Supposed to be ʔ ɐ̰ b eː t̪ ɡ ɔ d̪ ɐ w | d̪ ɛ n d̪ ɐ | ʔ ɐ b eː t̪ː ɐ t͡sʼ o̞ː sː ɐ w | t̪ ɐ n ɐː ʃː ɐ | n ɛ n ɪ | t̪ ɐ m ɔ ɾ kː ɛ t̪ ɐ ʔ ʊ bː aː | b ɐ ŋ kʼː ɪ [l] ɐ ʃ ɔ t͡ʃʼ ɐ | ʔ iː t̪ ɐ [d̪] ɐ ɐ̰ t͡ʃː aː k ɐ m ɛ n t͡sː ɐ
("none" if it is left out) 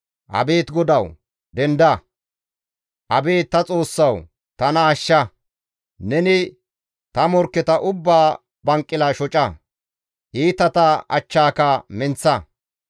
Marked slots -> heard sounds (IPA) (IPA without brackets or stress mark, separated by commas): l, t̪